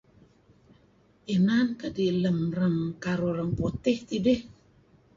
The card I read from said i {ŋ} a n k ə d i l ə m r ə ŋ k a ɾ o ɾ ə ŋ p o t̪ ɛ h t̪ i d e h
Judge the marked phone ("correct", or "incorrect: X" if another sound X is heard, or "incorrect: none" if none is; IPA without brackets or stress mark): incorrect: n